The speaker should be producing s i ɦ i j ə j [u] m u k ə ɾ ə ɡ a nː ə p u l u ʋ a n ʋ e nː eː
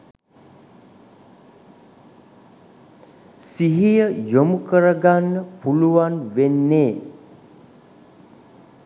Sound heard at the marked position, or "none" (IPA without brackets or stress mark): o